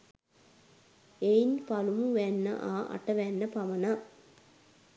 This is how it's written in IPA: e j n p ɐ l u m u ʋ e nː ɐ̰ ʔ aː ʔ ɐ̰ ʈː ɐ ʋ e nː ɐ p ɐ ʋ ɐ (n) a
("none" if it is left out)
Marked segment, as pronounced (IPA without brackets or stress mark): n